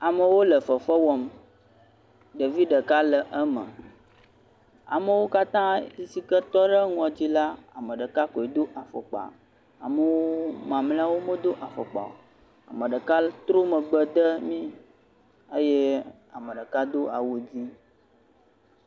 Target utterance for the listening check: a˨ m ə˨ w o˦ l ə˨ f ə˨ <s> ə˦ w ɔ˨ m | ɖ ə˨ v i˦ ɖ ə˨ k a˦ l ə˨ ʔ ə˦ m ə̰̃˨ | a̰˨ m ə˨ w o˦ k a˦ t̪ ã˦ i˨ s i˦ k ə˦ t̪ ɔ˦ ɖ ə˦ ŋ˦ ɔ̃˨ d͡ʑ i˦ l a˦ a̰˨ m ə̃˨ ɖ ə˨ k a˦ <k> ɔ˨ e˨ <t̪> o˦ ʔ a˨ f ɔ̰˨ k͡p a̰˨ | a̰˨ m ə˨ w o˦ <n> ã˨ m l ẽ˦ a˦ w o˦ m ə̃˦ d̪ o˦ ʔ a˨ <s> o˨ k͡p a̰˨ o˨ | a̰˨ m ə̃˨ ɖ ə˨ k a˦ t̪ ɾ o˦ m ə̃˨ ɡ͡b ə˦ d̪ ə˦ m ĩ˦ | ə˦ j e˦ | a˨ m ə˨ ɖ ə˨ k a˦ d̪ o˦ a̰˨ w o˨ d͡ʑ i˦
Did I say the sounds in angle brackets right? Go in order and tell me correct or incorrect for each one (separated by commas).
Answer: incorrect, correct, incorrect, incorrect, incorrect